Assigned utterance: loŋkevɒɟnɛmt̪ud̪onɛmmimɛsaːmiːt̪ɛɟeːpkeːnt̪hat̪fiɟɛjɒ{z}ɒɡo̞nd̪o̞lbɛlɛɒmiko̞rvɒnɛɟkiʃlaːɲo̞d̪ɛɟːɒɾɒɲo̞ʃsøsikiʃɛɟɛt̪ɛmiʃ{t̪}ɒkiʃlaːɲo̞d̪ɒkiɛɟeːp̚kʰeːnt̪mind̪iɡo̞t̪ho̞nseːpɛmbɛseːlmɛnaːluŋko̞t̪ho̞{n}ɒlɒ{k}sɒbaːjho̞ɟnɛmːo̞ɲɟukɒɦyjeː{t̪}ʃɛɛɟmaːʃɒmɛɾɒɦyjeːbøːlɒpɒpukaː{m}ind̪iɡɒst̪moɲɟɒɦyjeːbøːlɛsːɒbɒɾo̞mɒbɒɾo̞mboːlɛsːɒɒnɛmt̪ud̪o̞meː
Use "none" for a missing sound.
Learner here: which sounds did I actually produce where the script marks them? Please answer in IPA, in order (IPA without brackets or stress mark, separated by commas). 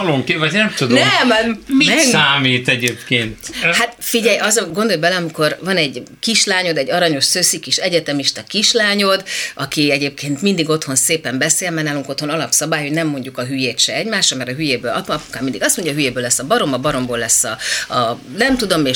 z, t̪, n, p, t̪, m